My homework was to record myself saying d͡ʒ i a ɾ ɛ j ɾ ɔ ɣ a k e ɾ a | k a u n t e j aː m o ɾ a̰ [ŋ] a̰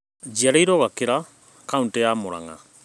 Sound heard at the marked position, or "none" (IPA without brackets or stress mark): ŋ